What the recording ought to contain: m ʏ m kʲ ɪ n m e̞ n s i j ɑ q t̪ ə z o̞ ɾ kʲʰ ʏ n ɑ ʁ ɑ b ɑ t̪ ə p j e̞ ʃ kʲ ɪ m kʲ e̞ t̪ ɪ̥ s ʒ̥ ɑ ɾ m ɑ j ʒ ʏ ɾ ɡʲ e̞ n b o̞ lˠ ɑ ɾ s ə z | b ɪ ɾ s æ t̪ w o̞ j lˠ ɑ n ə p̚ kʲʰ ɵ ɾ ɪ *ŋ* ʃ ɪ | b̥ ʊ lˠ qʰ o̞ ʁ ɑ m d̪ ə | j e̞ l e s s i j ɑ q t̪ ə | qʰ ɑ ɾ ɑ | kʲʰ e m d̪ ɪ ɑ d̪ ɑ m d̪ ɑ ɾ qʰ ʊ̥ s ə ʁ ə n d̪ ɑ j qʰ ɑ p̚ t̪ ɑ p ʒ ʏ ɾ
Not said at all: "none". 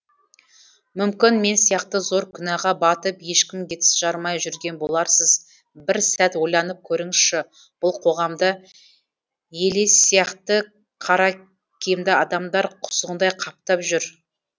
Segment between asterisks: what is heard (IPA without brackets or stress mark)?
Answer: ŋ